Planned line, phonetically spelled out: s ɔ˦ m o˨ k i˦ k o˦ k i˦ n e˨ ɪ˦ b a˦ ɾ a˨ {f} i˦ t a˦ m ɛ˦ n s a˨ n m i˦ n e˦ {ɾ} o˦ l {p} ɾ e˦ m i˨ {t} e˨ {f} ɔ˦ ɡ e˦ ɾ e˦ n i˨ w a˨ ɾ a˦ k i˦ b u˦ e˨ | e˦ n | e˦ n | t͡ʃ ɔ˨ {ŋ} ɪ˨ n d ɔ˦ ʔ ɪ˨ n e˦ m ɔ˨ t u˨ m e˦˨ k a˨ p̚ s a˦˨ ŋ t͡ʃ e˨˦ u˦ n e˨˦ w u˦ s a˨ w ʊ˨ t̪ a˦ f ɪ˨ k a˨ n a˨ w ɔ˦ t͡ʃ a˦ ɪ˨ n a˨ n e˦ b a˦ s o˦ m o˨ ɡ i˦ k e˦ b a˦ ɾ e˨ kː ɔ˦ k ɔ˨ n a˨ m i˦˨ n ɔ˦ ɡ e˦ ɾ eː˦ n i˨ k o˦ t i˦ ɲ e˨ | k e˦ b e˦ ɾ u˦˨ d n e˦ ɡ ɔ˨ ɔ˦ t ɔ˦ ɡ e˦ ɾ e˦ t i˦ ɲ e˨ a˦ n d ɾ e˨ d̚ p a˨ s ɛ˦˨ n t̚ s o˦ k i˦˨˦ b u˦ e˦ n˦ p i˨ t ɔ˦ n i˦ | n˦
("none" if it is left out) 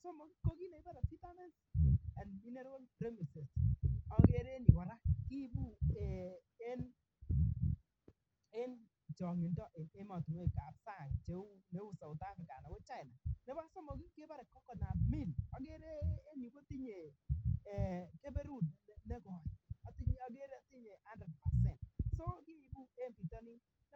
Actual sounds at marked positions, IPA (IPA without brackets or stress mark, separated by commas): f, ɾ, p, s, s, ŋ